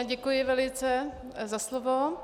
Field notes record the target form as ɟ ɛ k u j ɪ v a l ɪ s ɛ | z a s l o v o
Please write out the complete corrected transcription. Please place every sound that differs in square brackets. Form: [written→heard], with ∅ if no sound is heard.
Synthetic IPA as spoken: ɟ ɛ k u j ɪ v [a→ɛ] l ɪ [s→t͡s] ɛ | z a s l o v o